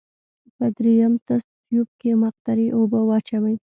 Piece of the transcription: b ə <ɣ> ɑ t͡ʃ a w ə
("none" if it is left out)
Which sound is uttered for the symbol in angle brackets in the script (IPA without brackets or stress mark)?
w